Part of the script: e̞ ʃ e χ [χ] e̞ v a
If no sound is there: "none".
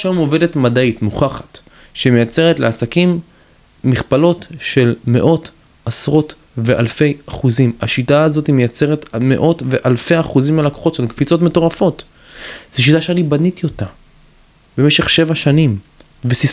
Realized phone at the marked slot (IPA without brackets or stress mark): ʃ